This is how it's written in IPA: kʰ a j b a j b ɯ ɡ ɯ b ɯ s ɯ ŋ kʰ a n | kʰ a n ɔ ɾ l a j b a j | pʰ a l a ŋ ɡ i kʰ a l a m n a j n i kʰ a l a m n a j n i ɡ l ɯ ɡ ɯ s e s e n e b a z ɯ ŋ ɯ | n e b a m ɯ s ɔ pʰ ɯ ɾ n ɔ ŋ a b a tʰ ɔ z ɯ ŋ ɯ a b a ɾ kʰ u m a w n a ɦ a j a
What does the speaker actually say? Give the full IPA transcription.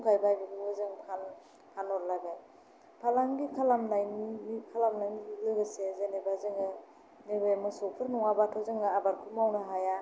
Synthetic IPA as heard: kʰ a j b a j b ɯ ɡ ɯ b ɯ z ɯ ŋ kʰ a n | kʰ a n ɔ ɾ l a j b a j | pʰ a l a ŋ ɡ i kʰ a l a m n a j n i kʰ a l a m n a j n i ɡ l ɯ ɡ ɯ s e z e n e b a z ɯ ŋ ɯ | n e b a m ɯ s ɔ pʰ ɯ ɾ n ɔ ŋ a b a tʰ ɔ z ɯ ŋ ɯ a b a ɾ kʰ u m a w n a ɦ a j a